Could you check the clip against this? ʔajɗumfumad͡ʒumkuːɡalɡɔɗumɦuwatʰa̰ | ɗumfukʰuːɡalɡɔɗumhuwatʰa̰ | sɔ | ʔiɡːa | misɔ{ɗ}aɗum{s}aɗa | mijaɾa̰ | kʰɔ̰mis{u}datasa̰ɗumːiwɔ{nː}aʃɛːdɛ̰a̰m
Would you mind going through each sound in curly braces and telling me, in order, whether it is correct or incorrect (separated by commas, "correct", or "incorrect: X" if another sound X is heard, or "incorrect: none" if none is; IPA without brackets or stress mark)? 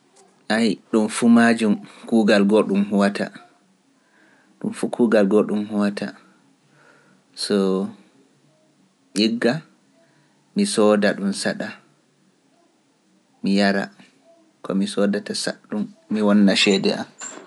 incorrect: d, correct, incorrect: ɔ, correct